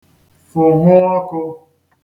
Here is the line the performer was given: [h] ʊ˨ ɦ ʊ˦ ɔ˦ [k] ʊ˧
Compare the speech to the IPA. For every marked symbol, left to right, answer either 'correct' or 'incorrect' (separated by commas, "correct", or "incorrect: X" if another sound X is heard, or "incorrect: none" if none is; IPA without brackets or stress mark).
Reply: incorrect: f, correct